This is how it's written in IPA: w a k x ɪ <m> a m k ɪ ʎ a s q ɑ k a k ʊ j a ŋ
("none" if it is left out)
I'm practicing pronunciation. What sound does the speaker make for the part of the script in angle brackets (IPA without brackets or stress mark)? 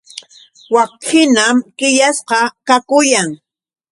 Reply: n